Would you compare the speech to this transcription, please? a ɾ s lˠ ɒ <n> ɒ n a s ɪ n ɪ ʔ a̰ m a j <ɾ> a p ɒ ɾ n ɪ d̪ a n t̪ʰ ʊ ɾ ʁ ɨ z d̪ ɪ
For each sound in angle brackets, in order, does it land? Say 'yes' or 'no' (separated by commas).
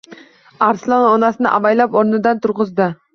yes, no